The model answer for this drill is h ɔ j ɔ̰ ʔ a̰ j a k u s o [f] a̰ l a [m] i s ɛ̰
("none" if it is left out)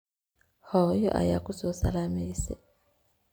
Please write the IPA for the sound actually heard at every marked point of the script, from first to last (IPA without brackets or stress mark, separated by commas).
s, m